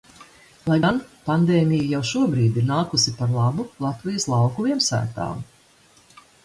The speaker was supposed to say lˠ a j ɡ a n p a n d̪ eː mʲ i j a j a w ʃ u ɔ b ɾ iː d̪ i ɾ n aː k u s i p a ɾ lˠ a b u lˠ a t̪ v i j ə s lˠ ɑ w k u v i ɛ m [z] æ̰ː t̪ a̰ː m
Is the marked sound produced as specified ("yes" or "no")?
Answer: no